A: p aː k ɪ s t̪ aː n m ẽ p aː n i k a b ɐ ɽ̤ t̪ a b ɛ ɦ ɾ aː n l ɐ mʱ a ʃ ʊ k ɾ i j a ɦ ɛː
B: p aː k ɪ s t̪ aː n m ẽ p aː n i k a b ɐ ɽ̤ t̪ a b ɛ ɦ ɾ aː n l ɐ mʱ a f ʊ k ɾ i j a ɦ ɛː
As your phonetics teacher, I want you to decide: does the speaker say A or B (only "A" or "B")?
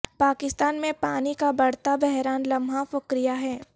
B